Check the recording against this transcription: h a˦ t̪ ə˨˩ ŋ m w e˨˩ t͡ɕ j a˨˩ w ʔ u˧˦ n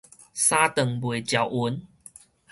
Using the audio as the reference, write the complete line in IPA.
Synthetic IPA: s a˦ t̪ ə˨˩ ŋ b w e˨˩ t͡ɕ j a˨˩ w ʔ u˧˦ n